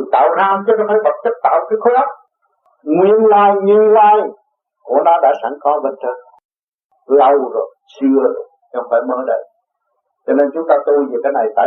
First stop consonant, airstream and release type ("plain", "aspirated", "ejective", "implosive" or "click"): plain